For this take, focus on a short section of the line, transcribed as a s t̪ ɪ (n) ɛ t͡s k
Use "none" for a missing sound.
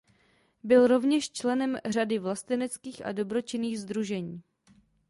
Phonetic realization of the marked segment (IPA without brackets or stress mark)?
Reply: n